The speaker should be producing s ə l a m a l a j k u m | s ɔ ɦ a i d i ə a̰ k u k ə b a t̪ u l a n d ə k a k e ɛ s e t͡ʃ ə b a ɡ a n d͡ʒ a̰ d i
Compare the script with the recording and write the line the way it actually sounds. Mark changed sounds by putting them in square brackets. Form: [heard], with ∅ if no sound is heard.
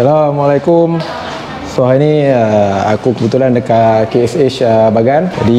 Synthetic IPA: s [a] l a m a l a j k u m | s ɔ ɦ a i [n] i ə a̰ k u k ə b [ə] t̪ u l a n d ə k a k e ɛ s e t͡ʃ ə b a ɡ a n d͡ʒ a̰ d i